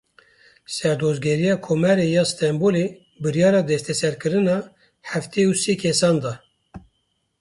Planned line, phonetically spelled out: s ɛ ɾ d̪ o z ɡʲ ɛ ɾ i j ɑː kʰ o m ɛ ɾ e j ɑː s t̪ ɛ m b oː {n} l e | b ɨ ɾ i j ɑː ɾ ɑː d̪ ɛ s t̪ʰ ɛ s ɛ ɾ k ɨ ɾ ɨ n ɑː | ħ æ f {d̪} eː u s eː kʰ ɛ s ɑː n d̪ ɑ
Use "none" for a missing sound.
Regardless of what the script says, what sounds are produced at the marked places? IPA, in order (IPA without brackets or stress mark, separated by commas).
none, t̪